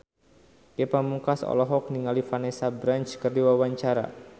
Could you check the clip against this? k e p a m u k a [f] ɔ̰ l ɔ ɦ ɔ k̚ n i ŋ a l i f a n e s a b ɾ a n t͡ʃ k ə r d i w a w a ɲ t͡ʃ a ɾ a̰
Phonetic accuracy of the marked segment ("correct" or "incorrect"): incorrect